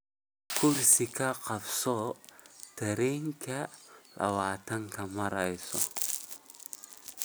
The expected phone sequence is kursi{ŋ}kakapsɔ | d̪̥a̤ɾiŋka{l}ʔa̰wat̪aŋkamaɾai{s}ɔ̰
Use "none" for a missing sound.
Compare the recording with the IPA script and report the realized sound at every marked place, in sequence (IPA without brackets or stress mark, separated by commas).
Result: none, l, s